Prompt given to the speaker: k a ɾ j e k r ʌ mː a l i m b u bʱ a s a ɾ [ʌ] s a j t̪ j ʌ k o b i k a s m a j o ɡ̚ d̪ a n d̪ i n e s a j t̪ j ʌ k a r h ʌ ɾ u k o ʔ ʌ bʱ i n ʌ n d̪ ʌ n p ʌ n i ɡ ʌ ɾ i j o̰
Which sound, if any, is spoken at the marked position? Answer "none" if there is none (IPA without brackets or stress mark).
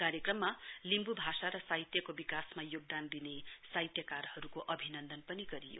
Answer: ʌ